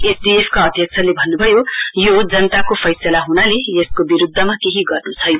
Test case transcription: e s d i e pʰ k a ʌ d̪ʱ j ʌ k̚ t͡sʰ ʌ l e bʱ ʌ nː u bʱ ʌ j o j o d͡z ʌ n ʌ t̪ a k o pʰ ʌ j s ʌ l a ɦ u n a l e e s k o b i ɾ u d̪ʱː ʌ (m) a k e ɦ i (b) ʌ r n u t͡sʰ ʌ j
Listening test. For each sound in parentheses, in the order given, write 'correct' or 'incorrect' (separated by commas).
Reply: correct, incorrect